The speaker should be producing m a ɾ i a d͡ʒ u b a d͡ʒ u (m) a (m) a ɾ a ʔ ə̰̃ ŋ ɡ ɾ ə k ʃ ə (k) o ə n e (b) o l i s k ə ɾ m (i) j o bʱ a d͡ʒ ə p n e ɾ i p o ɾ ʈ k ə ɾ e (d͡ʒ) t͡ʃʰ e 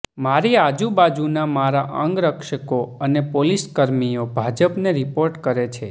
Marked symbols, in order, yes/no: no, yes, yes, no, yes, no

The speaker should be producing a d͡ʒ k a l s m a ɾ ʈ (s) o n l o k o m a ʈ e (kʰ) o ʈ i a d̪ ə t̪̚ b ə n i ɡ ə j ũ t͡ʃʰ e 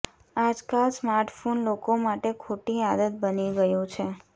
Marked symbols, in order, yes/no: no, yes

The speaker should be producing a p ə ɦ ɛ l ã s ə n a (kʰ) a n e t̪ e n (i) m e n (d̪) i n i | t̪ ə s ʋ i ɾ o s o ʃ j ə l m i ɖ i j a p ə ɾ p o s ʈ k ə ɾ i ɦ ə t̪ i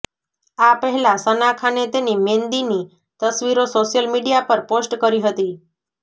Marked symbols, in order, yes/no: yes, yes, yes

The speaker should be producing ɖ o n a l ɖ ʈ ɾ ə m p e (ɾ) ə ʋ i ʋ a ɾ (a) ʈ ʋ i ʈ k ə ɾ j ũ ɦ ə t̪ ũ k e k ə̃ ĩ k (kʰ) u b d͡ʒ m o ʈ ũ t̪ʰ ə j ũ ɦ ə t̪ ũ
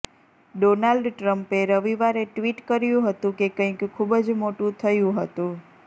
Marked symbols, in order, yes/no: yes, no, yes

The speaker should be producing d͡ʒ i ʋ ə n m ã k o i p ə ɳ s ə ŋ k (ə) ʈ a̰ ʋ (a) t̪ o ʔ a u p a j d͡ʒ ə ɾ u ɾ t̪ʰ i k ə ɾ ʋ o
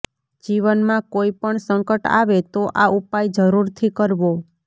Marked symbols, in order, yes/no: yes, no

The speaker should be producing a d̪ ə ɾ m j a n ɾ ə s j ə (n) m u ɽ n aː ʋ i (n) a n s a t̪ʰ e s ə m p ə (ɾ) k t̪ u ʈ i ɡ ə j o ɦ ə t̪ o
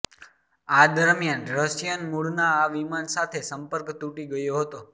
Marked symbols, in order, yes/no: yes, no, yes

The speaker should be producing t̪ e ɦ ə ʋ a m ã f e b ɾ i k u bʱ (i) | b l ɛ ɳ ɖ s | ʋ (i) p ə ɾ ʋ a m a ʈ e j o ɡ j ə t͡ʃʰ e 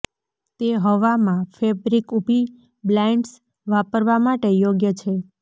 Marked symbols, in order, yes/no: yes, no

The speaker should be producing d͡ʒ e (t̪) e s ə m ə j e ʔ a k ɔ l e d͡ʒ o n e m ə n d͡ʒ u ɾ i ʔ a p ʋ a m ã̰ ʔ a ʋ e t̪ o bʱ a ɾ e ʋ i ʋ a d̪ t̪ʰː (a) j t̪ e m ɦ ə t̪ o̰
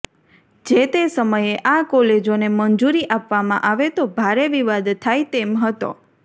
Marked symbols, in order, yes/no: yes, yes

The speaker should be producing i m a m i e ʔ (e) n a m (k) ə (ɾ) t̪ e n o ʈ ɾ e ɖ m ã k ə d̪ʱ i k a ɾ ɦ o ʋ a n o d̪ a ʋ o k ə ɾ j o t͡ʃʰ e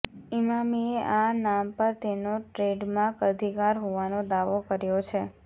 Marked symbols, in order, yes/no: no, no, yes

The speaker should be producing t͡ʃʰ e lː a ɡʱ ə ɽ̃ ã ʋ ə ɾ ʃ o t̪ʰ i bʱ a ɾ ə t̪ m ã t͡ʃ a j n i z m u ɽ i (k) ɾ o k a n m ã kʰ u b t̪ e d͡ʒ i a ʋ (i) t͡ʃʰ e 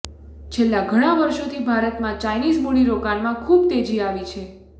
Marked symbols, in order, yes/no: no, yes

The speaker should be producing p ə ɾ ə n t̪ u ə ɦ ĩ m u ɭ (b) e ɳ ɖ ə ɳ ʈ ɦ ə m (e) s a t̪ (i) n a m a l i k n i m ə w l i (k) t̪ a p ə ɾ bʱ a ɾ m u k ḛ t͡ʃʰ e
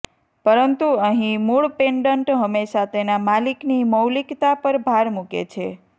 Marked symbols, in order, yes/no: no, yes, no, yes

